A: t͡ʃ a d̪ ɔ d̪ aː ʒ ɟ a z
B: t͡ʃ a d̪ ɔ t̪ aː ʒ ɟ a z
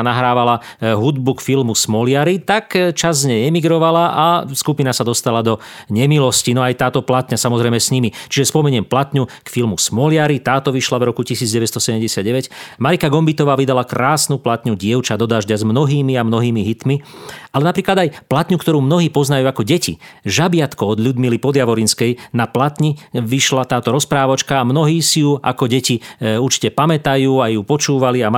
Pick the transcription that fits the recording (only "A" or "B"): A